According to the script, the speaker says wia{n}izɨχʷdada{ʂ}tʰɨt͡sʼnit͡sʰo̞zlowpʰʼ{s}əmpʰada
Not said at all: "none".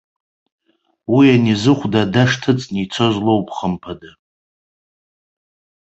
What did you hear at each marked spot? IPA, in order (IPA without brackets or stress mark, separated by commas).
n, ʂ, χ